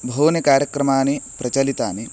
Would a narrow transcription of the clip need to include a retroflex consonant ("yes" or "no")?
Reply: no